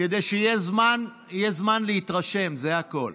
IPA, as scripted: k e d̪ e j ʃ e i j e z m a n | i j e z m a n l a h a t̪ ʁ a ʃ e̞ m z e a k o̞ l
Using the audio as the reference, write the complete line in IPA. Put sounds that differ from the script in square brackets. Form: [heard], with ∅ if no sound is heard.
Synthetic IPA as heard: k e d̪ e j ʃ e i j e z m a n | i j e z m a n l [e] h [i] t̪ ʁ a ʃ e̞ m z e a k o̞ l